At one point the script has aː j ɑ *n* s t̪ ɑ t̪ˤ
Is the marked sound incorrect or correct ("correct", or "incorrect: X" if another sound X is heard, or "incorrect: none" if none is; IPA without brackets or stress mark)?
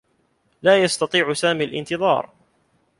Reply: incorrect: none